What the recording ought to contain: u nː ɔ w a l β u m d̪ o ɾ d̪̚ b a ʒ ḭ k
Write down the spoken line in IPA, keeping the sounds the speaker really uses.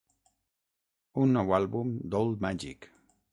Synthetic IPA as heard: u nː ɔ w a l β u m d̪ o l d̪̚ m a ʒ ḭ k

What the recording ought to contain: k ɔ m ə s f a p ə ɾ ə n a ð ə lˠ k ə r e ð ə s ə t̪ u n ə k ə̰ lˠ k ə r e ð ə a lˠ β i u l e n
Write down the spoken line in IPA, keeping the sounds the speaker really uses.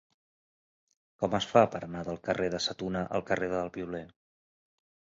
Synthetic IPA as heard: k ɔ m ə s f a p ə ɾ ə n a ð ə lˠ k ə r e ð ə s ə t̪ u n ə ʔ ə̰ lˠ k ə r e ð ə ə lˠ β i u l e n

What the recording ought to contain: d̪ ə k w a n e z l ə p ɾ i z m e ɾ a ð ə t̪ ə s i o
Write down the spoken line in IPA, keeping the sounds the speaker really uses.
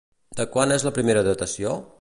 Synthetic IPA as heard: d̪ ə k w a n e z l ə p ɾ i m e ɾ ə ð ə t̪ ə s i o

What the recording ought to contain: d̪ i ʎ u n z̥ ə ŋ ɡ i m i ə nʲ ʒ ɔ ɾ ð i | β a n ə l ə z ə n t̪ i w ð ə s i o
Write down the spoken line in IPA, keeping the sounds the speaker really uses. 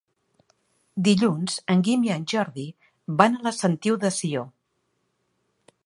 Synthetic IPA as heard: d̪ i ʎ u n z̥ ə ŋ ɡ i m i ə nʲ ʒ ɔ ɾ ð i | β a n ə l ə s ə n t̪ i w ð ə s i o

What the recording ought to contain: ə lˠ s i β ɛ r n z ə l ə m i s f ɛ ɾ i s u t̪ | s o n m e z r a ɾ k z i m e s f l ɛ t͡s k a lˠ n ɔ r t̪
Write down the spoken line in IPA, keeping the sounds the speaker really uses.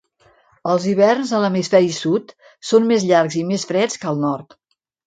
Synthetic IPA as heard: ə lˠ z i β ɛ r n z ə l ə m i s f ɛ ɾ i s u t̪ | s o n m e z ʎ a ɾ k z i m e s f ɾ ɛ t͡s k ə lˠ n ɔ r t̪

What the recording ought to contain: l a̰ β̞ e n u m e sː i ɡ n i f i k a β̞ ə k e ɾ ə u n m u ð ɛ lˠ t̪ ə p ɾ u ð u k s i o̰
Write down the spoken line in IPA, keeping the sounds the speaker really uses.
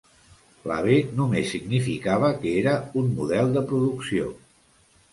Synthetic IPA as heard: l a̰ β̞ e n u m e sː i ɡ n i f i k a β̞ ə k e ɾ ə u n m u ð ɛ lˠ d̪ ə p ɾ u ð u k s i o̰

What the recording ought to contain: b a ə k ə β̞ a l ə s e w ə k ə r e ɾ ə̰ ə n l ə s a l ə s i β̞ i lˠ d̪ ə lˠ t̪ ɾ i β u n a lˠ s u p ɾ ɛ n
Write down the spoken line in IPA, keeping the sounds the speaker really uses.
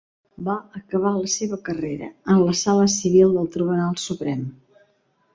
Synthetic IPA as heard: b a ə k ə β̞ a l ə s e β ə k ə r e ɾ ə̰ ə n l ə s a l ə s i β̞ i lˠ d̪ ə lˠ t̪ ɾ i β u n a lˠ s u p ɾ ɛ m

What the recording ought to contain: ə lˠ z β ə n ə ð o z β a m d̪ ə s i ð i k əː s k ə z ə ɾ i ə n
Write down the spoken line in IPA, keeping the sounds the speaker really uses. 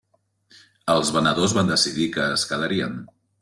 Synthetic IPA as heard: ə lˠ z β ə n ə ð o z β a n d̪ ə s i ð i k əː s k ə ð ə ɾ i ə n

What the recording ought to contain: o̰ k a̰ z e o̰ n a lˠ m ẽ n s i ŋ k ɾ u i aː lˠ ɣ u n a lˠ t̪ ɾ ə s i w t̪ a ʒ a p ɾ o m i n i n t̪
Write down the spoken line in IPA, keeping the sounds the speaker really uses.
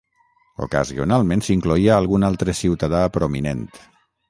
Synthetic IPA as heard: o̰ k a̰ z i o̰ n a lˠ m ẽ n s i ŋ k l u i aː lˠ ɣ u n a lˠ t̪ ɾ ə s i w t̪ a ð a p ɾ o m i n e n t̪

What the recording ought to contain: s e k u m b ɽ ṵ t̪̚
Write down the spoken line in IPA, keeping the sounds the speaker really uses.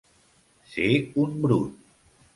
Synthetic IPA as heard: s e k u n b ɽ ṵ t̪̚

